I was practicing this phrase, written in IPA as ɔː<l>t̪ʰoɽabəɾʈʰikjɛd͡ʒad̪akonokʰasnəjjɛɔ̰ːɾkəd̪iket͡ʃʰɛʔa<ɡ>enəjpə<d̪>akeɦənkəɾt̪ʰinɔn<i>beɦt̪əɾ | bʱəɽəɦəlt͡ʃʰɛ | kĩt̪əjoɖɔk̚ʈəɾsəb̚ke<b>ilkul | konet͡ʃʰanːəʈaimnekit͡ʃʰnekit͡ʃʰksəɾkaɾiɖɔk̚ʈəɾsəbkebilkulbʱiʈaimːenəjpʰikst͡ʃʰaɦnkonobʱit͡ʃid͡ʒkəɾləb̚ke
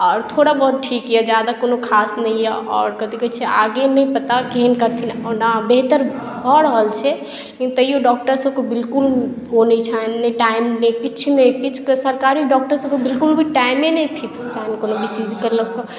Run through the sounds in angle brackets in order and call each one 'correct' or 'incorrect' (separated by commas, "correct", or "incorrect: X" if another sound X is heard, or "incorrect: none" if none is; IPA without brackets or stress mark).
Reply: incorrect: ɾ, correct, incorrect: t̪, incorrect: a, correct